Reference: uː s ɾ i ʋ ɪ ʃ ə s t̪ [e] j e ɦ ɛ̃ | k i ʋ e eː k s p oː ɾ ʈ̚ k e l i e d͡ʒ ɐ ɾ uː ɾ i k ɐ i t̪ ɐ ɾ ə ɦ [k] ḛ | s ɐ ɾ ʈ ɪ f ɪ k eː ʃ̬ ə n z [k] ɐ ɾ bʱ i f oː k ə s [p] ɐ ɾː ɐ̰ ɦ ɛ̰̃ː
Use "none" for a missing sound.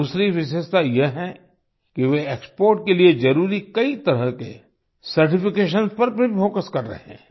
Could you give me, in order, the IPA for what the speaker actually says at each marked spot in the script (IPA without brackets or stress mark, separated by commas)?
a, k, p, k